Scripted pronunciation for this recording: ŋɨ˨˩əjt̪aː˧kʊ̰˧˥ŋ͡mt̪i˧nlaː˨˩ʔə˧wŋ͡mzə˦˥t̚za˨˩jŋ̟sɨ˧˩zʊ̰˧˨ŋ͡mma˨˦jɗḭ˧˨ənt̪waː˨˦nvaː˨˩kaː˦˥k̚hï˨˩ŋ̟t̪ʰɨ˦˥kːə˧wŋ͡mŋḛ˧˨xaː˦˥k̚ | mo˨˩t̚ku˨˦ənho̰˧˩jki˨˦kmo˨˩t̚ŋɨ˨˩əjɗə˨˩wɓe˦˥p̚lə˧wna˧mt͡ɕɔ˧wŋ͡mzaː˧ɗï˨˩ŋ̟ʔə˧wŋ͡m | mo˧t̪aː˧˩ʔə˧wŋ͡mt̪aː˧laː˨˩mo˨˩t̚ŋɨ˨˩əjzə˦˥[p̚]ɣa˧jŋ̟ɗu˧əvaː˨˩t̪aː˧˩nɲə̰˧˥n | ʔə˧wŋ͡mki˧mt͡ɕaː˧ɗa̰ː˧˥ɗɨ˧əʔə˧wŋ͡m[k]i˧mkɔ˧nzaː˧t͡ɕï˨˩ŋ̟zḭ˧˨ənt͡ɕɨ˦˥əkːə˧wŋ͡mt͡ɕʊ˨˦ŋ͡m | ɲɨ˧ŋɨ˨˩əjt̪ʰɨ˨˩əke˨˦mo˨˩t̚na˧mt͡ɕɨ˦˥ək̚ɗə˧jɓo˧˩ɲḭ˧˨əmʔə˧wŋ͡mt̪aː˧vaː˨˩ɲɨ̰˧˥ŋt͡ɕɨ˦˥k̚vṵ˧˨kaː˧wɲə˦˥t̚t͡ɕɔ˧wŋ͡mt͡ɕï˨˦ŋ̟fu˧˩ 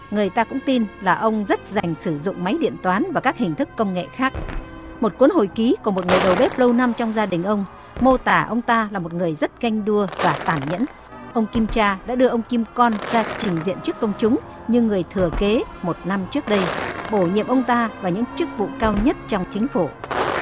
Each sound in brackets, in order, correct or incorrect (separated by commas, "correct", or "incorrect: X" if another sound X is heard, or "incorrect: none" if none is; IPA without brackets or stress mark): incorrect: t̚, correct